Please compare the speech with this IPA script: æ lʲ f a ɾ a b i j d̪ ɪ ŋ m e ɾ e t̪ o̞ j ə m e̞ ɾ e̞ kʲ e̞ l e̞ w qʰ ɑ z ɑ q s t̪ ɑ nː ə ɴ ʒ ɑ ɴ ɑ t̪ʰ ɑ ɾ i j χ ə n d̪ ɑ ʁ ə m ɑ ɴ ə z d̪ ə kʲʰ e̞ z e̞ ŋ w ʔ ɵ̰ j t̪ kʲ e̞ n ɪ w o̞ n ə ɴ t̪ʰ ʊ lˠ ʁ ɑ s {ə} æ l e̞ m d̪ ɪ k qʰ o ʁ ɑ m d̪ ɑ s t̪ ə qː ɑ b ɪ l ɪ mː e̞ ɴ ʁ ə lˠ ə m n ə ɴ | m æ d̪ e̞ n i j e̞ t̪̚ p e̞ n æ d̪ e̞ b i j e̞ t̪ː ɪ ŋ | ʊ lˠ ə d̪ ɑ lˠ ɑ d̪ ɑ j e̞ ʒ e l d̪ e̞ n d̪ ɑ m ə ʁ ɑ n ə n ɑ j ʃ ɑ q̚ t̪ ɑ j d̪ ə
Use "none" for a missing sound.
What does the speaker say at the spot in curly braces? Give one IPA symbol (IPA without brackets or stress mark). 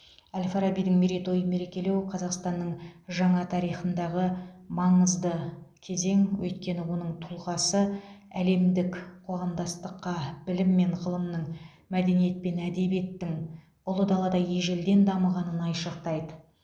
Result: ə